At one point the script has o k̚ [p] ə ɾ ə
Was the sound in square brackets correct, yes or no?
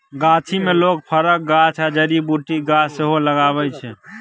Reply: no